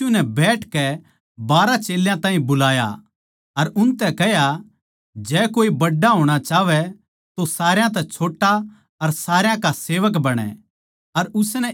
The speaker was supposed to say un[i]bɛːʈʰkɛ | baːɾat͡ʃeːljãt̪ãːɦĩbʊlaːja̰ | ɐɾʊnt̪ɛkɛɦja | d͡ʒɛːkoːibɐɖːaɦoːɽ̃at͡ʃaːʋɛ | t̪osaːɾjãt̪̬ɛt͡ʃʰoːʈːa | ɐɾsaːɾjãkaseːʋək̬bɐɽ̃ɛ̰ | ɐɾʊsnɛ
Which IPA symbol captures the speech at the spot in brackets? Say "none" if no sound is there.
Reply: ɛ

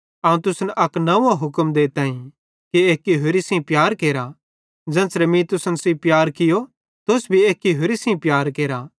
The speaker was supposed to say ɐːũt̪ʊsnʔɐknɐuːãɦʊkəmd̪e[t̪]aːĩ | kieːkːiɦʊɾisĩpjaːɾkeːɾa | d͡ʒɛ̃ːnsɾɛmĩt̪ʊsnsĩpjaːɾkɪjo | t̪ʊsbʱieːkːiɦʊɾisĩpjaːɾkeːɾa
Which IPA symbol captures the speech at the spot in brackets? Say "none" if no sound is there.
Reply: t̪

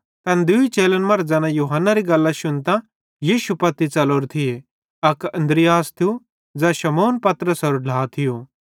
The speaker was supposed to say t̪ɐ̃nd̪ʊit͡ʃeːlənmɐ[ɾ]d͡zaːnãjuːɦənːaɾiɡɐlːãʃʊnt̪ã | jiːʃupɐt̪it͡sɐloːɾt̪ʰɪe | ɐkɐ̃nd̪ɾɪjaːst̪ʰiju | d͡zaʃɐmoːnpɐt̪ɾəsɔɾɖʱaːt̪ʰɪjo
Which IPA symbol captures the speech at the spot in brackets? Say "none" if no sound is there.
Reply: ɾ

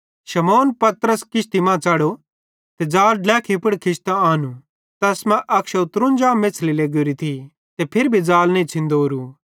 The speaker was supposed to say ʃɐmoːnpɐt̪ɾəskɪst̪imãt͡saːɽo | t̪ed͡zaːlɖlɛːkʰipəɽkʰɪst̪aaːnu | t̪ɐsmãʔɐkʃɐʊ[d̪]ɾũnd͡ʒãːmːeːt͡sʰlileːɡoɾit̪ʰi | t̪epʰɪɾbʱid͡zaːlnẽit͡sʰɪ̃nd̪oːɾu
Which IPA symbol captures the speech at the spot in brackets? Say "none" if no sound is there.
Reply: t̪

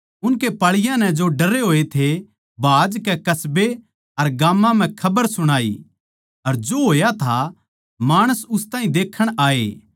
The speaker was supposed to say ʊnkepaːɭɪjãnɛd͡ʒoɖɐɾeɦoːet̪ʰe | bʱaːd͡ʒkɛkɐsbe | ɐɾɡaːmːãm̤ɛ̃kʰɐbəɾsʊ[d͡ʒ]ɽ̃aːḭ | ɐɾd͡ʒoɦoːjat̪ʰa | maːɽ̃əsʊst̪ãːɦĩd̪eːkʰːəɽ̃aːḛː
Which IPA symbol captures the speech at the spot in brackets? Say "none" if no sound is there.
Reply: none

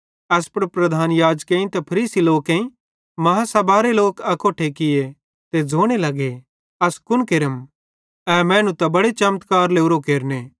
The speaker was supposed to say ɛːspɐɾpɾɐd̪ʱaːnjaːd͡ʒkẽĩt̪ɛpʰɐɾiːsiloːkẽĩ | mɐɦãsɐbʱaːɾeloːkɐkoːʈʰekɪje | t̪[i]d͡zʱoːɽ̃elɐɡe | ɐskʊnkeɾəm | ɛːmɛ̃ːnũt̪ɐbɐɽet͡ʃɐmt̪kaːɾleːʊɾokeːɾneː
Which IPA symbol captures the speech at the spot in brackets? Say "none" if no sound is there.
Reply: e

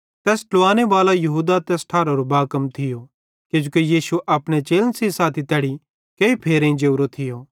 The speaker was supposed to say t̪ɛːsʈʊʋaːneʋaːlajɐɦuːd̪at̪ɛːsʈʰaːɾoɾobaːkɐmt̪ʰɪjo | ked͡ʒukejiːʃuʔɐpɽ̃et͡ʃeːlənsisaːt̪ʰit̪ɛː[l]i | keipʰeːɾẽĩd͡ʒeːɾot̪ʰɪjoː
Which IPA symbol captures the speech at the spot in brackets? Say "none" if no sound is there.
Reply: ɽ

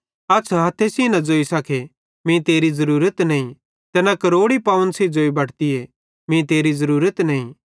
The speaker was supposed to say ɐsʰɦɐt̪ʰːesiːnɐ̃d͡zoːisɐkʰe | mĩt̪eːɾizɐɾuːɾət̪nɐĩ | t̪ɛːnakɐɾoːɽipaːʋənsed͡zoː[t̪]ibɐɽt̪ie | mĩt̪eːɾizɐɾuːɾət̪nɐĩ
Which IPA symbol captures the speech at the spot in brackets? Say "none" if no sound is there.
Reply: none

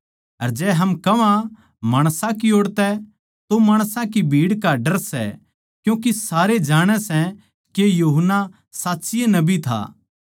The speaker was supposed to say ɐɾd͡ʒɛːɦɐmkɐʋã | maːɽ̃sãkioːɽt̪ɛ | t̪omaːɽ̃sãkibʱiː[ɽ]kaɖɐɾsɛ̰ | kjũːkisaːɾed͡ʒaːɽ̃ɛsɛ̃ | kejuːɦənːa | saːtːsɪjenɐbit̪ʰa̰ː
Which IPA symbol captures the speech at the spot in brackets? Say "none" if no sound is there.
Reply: ɽ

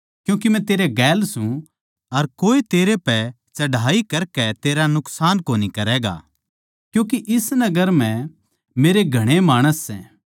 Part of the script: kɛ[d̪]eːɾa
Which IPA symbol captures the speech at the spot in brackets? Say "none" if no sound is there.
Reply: t̪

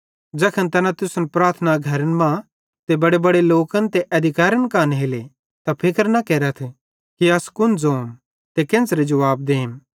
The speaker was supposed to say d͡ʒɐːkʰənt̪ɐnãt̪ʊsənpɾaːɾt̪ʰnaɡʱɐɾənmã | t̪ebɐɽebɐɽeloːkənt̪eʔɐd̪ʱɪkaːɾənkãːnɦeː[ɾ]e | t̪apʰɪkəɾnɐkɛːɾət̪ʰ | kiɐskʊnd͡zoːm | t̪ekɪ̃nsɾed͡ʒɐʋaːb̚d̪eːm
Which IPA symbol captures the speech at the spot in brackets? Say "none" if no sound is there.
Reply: l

